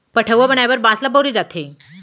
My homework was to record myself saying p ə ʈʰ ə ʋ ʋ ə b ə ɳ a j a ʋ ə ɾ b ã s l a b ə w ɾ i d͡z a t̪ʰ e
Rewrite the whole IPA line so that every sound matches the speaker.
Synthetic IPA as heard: p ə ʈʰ ə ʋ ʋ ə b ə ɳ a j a ʋ ə ɾ b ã s l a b ə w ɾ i d͡z a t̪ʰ e